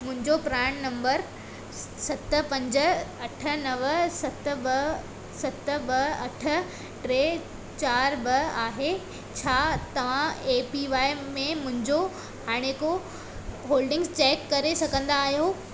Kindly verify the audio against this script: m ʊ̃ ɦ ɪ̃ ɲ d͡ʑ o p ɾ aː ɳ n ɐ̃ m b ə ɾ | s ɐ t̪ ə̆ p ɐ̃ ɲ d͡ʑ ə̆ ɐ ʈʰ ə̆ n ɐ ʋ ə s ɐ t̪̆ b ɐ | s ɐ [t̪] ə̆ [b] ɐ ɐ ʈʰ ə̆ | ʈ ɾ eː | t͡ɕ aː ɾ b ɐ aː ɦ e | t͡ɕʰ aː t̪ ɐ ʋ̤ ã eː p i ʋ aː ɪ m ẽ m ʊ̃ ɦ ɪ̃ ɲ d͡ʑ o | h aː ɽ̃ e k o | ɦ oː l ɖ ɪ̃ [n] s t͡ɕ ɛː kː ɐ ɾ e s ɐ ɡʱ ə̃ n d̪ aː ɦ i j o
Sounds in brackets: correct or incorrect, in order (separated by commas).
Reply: correct, correct, incorrect